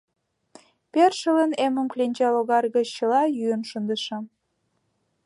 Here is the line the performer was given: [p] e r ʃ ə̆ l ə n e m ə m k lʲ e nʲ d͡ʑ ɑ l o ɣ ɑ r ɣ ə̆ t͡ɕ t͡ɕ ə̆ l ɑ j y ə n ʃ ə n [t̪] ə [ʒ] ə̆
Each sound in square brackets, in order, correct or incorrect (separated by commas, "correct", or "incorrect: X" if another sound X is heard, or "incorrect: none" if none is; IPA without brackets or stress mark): correct, incorrect: d̪, incorrect: ʃ